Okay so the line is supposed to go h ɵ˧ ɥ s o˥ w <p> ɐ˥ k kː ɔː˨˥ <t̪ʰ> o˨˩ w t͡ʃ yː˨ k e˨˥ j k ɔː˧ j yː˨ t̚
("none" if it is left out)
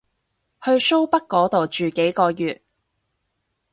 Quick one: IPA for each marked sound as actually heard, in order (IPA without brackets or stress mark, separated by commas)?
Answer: p, t̪